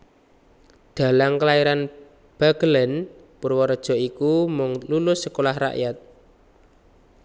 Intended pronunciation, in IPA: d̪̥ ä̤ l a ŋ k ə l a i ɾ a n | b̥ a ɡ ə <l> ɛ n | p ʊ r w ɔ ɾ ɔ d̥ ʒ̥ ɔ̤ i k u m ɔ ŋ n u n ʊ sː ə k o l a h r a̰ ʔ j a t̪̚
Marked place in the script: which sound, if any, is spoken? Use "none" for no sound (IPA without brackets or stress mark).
l